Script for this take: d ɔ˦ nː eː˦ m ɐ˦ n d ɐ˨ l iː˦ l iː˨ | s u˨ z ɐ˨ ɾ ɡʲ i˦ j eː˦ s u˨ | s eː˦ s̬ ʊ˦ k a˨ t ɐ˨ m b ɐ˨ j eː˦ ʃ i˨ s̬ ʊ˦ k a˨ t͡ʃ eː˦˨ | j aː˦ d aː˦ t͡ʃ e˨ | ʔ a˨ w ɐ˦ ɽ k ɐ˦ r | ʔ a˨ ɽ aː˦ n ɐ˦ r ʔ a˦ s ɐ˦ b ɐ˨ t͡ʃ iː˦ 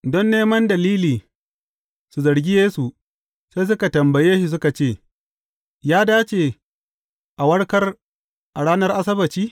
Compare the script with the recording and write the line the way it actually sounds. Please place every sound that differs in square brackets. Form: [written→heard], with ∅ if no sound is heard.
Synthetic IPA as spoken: d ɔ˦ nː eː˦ m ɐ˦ n d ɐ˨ l iː˦ l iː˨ | s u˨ z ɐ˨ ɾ ɡʲ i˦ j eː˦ s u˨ | s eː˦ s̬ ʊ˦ k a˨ t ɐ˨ m b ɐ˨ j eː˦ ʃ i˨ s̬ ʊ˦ k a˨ t͡ʃ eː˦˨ | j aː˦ d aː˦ t͡ʃ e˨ | ʔ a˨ w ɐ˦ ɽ k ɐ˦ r | ʔ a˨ ɽ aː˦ n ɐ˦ r ʔ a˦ s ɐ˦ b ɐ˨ t͡ʃ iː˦